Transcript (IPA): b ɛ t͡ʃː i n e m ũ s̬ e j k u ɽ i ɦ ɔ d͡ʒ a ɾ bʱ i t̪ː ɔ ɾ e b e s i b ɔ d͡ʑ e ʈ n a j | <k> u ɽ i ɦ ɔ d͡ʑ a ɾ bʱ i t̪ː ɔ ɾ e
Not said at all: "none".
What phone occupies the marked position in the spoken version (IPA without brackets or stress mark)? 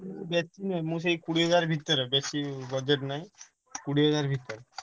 k